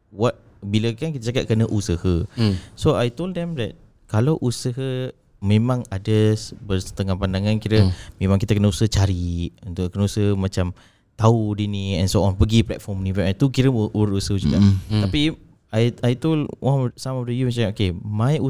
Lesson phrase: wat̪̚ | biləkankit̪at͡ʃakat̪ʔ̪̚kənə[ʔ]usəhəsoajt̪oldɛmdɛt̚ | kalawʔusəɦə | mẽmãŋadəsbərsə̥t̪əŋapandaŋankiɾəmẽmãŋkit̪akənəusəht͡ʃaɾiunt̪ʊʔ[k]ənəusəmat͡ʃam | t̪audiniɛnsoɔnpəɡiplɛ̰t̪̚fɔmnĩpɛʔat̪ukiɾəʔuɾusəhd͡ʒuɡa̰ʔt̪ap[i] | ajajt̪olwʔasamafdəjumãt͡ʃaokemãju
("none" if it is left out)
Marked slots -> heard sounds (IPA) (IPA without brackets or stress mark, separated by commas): ʔ, k, i